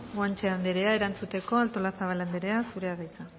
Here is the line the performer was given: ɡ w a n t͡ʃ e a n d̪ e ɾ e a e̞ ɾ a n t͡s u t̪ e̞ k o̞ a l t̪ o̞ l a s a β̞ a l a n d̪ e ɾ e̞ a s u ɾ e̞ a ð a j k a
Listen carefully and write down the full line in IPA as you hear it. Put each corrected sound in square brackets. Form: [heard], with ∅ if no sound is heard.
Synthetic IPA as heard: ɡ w a n t͡ʃ e a n d̪ e ɾ e a e̞ ɾ a n t͡s u t̪ e̞ k o̞ a l t̪ o̞ l a s a β̞ a l a n d̪ e ɾ e̞ a s u ɾ e̞ a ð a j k a